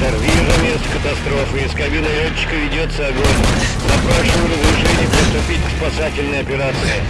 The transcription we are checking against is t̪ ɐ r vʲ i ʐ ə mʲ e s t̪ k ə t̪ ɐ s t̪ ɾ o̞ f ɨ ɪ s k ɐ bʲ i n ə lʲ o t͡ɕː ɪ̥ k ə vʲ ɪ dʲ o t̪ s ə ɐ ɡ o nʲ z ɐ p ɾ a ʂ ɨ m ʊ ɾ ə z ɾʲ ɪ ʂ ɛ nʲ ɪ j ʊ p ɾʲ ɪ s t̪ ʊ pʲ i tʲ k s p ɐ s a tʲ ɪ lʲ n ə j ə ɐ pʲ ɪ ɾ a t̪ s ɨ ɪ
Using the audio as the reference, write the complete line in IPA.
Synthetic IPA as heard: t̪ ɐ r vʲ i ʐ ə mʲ e s t̪ k ə t̪ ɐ s t̪ ɾ o̞ f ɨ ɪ s k ɐ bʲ i n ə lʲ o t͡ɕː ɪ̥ k ə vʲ ɪ dʲ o t̪ s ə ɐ ɡ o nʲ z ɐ p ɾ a ʂ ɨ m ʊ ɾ ə z ɾʲ ɪ ʂ ɛ nʲ ɪ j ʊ p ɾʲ ɪ s t̪ ʊ pʲ i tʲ k s p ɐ s a tʲ ɪ lʲ n ə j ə ɐ pʲ ɪ ɾ a t̪ s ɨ ɪ

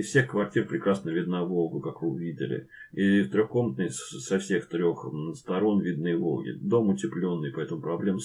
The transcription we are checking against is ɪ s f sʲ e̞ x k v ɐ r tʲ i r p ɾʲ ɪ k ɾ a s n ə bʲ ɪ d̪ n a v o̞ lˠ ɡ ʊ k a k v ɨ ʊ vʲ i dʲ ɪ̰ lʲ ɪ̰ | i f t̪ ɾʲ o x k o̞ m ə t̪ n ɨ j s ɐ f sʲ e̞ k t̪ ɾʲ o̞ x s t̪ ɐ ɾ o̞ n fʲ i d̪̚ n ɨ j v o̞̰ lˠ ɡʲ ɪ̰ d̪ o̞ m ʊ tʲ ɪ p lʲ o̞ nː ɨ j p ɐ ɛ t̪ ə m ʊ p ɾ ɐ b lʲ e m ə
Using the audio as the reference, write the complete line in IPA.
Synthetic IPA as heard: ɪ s f sʲ e̞ x k v ɐ r tʲ i r p ɾʲ ɪ k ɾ a s n ə vʲ ɪ d̪ n a v o̞ lˠ ɡ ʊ k a k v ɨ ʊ vʲ i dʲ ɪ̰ lʲ ɪ̰ | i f t̪ ɾʲ o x k o̞ m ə t̪ n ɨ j s ɐ f sʲ e̞ x t̪ ɾʲ o̞ x s t̪ ɐ ɾ o̞ n vʲ i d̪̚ n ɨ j v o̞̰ lˠ ɡʲ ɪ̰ d̪ o̞ m ʊ tʲ ɪ p lʲ o̞ nː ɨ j p ɐ ɛ t̪ ə m ʊ p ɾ ɐ b lʲ e m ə

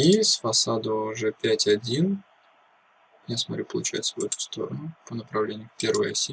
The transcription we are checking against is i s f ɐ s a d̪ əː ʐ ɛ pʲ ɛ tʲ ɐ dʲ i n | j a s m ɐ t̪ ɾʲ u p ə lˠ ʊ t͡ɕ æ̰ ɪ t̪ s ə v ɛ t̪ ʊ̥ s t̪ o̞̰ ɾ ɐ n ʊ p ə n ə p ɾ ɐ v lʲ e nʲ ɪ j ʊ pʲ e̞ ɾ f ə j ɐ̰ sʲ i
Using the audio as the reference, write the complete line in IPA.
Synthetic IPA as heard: i s f ɐ s a d̪ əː ʐ ɛ pʲ æ tʲ ɐ dʲ i n | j a s m ɐ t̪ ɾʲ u p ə lˠ ʊ t͡ɕ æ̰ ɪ t̪ s ə v ɛ t̪ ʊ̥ s t̪ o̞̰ ɾ ə n ʊ p ə n ə p ɾ ɐ v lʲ e nʲ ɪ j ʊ pʲ e̞ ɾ v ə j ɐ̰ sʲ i

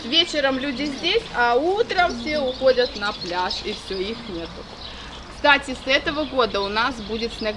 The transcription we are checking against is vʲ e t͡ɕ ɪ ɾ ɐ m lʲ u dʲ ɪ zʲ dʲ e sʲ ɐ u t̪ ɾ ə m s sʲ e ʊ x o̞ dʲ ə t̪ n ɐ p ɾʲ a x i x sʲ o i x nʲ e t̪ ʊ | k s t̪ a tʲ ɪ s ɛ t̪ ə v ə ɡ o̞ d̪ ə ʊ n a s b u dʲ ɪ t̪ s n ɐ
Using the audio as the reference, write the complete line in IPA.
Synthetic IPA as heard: vʲ e t͡ɕ ɪ ɾ ə m lʲ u dʲ ɪ zʲ dʲ e sʲ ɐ u t̪ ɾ ə m f sʲ e ʊ x o̞ dʲ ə t̪ n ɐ p lʲ a ʂ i f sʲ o i x nʲ e t̪ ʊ | k s t̪ a tʲ ɪ s ɛ t̪ ə v ə ɡ o̞ d̪ ə ʊ n a s b u dʲ ɪ t̪ s n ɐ

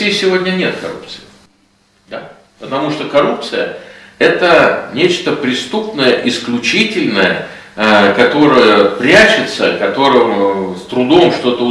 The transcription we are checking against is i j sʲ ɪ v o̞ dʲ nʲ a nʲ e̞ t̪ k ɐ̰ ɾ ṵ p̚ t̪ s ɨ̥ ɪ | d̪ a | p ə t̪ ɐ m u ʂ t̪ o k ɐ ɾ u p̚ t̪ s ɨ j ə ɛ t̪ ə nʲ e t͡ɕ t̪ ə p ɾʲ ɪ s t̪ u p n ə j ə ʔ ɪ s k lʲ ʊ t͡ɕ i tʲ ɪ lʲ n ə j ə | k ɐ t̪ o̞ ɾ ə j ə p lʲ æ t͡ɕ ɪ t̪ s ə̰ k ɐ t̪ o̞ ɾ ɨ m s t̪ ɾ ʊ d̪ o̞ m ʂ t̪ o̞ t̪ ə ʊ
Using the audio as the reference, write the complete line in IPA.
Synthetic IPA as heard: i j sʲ ɪ v o̞ dʲ nʲ ə nʲ e̞ t̪ k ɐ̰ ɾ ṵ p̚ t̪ s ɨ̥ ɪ | d̪ a | p ə t̪ ɐ m u ʂ t̪ o k ɐ ɾ u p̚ t̪ s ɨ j ə ɛ t̪ ə nʲ e t͡ɕ t̪ ə p ɾʲ ɪ s t̪ u p n ə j ə ʔ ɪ s k lʲ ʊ t͡ɕ i tʲ ɪ lʲ n ə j ə | k ɐ t̪ o̞ ɾ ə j ə p ɾʲ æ t͡ɕ ɪ t̪ s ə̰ k ɐ t̪ o̞ ɾ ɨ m s t̪ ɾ ʊ d̪ o̞ m ʂ t̪ o̞ t̪ ə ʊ

